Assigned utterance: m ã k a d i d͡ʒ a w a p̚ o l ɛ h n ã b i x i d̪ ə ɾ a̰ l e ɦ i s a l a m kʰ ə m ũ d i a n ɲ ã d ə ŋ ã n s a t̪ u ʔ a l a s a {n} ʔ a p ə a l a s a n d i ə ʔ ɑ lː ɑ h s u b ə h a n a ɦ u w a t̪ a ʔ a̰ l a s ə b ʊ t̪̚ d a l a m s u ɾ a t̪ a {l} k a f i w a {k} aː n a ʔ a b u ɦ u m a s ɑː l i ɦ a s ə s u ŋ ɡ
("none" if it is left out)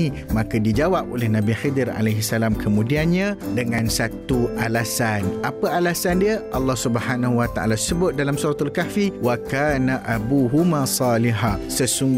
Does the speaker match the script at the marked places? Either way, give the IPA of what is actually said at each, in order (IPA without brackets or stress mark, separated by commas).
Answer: n, l, k